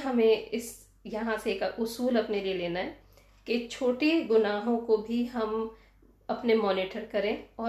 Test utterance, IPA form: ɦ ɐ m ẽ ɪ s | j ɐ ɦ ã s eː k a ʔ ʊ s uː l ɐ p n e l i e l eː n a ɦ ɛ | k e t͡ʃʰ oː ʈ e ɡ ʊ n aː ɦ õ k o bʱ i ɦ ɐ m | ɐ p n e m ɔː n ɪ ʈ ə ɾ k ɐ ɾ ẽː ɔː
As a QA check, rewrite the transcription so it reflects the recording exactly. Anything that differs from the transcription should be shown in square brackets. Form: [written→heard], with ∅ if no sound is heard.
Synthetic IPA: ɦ ɐ m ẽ ɪ s | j ɐ ɦ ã s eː k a ʔ ʊ s uː l ɐ p n e l i e l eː n a ɦ ɛ | k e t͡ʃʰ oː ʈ e ɡ ʊ n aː ɦ õ k o bʱ i ɦ ɐ m | ɐ p n e m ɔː n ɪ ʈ ə ɾ k ɐ ɾ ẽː ɔː